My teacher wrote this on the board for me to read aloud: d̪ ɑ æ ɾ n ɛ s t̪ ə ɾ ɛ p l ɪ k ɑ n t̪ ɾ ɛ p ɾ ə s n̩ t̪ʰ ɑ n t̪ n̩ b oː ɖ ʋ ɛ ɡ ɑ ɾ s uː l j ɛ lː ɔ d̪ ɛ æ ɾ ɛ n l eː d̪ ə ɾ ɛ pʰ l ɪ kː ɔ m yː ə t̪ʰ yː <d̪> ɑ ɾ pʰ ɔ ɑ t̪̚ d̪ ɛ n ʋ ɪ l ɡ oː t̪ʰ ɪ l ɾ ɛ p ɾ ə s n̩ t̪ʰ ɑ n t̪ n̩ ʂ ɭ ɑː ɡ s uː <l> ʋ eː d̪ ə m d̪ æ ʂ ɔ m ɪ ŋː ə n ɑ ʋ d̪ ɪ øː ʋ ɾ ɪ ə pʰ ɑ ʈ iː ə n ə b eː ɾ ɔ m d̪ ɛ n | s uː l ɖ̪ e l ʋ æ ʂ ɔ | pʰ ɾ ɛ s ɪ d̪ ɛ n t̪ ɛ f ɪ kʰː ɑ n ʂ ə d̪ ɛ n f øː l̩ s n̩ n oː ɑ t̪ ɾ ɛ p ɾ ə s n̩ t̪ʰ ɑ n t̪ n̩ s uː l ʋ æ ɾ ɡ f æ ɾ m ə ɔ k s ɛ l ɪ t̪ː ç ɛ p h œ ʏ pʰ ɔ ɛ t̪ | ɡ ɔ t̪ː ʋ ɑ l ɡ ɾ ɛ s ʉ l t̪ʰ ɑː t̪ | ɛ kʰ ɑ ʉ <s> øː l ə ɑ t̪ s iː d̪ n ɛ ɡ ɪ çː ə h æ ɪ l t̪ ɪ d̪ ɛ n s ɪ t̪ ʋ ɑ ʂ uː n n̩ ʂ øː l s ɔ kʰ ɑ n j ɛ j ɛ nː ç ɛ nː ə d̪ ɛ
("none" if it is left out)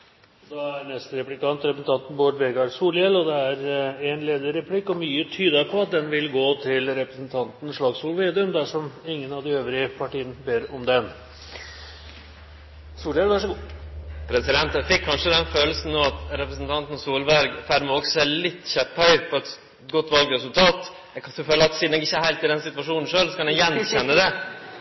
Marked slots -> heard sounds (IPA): d̪, l, f

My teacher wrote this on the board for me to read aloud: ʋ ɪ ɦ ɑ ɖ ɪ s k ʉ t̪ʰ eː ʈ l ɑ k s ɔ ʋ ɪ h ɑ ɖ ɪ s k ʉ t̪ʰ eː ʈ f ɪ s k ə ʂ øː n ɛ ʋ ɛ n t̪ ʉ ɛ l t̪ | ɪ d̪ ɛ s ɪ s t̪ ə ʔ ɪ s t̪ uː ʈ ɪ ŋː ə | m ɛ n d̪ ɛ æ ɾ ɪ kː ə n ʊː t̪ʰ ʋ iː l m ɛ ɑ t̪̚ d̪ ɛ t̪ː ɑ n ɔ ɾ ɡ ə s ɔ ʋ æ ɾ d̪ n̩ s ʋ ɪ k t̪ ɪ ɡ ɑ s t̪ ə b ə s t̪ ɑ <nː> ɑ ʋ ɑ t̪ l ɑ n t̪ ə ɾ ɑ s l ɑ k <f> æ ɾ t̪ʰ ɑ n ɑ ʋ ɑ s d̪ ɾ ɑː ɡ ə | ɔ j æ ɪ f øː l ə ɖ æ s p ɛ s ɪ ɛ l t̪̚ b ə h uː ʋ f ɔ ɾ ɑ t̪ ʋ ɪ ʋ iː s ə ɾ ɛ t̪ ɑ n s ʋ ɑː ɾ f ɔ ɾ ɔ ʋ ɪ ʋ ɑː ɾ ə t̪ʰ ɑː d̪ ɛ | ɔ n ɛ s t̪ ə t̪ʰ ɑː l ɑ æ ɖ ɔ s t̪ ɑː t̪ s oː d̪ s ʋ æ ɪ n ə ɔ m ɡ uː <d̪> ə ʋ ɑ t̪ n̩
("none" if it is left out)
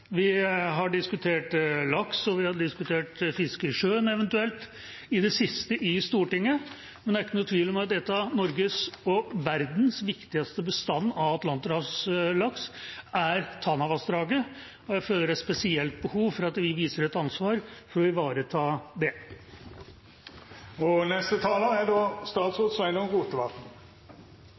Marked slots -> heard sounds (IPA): nː, s, t̪

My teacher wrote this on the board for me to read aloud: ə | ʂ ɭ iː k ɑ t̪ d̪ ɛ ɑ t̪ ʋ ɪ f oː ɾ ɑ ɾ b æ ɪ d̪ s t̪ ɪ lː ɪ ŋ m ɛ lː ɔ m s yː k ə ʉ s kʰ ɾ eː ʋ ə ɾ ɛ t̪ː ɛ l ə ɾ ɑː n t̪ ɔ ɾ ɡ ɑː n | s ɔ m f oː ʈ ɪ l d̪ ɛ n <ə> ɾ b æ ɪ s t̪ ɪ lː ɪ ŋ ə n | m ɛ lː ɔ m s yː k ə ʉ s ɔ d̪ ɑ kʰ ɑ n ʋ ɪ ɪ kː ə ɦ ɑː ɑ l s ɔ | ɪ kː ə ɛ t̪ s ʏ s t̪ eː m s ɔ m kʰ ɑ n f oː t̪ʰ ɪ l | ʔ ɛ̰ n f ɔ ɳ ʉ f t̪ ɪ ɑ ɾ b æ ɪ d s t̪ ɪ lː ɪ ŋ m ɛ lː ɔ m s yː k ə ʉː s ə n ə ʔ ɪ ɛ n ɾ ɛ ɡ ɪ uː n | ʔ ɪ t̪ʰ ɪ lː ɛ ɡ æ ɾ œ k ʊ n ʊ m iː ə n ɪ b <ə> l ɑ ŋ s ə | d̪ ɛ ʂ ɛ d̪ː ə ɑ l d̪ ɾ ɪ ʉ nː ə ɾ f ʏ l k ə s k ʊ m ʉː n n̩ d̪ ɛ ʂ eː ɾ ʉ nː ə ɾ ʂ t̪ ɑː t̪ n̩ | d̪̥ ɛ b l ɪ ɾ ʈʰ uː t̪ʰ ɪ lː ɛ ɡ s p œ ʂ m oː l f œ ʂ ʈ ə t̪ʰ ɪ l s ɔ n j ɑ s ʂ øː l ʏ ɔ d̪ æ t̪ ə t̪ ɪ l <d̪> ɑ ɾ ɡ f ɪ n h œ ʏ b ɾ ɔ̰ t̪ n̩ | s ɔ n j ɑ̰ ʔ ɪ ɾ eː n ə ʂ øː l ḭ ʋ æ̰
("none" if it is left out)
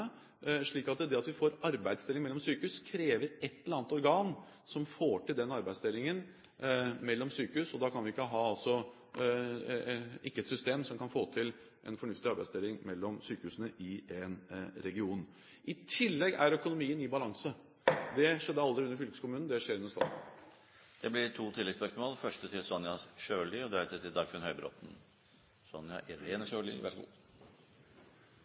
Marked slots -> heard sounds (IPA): ɑ, ɑ, d̪

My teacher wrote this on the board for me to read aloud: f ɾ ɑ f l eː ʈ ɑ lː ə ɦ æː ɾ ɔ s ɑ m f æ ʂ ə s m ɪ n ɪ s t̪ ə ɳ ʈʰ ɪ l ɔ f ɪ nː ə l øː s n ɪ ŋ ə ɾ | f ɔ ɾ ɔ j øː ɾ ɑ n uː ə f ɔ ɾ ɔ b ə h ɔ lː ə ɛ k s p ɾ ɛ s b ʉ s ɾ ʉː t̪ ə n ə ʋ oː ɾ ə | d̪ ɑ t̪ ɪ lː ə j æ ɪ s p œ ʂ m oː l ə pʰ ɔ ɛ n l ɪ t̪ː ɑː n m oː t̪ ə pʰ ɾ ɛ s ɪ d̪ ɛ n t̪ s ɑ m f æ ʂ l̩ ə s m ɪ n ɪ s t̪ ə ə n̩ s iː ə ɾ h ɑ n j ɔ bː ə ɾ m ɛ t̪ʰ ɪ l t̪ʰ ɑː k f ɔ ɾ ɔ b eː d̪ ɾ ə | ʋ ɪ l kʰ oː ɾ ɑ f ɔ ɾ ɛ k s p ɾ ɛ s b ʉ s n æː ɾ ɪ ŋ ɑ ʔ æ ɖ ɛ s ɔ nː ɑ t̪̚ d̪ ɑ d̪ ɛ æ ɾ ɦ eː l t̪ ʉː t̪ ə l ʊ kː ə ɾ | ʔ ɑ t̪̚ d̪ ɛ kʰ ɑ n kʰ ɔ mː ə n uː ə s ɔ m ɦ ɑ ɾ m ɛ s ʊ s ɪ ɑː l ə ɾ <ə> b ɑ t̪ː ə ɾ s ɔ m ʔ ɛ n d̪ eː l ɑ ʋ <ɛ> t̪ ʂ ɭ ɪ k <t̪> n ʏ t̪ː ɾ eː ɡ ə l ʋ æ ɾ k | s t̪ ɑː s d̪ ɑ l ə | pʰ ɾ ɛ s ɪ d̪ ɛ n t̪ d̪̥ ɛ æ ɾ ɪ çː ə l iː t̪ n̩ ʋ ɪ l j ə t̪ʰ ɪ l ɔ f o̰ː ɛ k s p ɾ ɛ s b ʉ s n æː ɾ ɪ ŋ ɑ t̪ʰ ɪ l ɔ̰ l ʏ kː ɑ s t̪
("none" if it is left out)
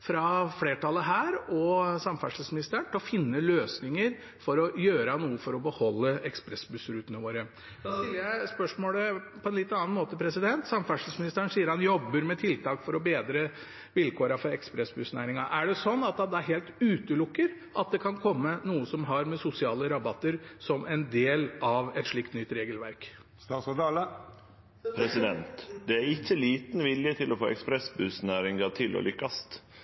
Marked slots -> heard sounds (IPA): ɑ, ɛ, t̪

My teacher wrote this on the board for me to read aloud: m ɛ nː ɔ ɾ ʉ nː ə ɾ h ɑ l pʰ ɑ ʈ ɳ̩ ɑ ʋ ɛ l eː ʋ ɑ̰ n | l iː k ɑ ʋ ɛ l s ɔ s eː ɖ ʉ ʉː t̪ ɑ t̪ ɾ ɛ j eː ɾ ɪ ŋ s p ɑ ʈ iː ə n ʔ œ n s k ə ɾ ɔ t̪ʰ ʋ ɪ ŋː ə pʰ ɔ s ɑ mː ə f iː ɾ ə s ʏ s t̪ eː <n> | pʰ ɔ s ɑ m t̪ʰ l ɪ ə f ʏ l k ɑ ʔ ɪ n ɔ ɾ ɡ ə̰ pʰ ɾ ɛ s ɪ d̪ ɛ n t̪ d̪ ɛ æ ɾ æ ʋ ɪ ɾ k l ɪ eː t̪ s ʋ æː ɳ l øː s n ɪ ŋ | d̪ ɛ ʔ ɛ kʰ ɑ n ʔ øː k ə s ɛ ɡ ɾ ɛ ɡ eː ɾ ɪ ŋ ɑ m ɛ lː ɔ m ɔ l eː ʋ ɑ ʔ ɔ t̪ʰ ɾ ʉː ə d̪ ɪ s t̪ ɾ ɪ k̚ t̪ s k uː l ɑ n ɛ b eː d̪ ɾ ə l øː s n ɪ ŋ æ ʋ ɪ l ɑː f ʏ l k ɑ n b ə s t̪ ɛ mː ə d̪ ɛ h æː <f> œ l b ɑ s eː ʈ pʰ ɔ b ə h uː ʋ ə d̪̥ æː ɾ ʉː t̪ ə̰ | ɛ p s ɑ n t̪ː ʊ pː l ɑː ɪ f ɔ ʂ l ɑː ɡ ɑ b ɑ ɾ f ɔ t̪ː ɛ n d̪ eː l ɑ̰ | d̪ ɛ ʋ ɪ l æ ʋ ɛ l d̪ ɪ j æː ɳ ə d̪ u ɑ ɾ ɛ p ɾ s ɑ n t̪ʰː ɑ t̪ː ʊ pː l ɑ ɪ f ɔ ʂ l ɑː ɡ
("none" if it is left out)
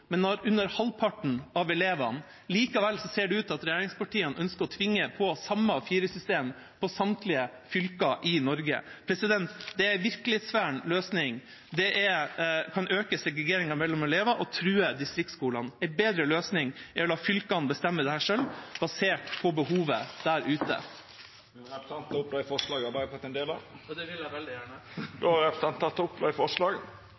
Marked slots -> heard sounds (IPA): m, ʂ

